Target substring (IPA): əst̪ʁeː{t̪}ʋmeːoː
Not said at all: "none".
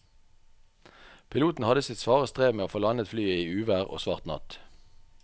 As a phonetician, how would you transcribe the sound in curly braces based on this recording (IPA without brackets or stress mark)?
none